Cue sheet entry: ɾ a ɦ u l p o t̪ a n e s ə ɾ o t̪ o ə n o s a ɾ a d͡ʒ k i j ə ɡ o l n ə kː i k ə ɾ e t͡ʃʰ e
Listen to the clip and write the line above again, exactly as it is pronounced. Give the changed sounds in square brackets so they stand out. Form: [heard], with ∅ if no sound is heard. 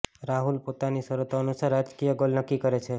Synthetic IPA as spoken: ɾ a ɦ u l p o t̪ a n [i] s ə ɾ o t̪ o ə n [u] s a ɾ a d͡ʒ k i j ə ɡ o l n ə kː i k ə ɾ e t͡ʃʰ e